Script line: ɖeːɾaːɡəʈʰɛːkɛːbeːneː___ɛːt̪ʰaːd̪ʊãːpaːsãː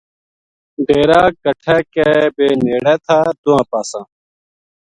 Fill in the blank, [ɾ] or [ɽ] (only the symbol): ɽ